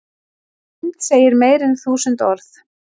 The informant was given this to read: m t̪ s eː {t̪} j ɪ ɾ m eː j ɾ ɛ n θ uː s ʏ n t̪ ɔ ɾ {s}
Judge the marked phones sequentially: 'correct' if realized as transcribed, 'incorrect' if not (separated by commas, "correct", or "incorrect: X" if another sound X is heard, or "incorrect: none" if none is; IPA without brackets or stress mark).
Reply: incorrect: none, incorrect: θ